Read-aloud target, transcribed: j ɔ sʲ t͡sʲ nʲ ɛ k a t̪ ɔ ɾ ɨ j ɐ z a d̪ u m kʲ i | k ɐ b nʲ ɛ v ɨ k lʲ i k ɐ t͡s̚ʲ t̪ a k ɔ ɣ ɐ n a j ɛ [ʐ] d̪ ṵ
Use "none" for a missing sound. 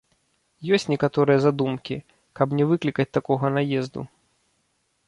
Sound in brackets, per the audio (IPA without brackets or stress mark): z